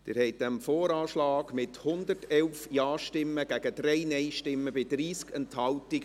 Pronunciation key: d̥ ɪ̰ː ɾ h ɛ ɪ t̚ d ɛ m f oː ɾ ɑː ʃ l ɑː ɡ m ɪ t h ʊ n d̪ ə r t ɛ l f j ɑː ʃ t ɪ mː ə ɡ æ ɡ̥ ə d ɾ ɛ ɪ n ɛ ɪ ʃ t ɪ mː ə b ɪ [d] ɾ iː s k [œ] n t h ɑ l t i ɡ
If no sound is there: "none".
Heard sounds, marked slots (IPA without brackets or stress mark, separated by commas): d, ɛ